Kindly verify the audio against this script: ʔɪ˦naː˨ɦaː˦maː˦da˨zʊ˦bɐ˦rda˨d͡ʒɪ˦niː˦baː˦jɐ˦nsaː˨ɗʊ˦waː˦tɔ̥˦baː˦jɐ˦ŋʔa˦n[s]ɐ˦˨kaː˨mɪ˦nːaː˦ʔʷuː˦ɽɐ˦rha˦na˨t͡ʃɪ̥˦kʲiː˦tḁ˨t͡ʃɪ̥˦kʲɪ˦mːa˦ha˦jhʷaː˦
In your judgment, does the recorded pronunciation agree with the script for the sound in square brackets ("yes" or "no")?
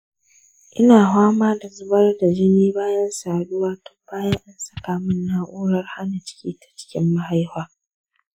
yes